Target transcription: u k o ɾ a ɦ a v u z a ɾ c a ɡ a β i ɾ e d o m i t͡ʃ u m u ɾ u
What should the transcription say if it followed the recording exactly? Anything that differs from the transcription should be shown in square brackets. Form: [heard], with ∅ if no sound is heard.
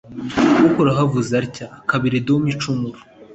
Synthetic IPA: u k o ɾ a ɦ a v u z a ɾ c a [k] a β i ɾ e d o m i t͡ʃ u m u ɾ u